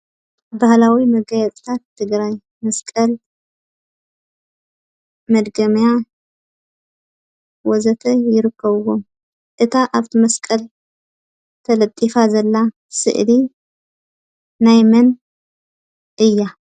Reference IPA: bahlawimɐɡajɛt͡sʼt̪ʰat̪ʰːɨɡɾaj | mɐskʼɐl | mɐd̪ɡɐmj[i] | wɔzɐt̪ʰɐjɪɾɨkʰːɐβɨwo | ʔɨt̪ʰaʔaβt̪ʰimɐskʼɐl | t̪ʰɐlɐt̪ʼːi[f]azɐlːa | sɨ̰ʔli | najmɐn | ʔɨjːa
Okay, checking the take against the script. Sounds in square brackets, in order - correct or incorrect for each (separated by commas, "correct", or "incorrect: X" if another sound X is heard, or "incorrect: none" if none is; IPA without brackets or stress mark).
incorrect: a, correct